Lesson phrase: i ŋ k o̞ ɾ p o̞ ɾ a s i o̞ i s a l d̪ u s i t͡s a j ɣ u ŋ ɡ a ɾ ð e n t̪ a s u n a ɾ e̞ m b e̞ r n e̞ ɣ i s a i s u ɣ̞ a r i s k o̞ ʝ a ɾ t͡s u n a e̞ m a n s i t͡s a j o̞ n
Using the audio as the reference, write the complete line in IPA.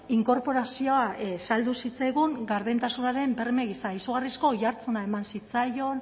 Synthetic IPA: i ŋ k o̞ ɾ p o̞ ɾ a s i o̞ a s a l d̪ u s i t͡s a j ɣ u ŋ ɡ a ɾ ð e n t̪ a s u n a ɾ e̞ m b e̞ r m e̞ ɣ i s a i s u ɣ̞ a r i s k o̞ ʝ a ɾ t͡s u n a e̞ m a n s i t͡s a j o̞ n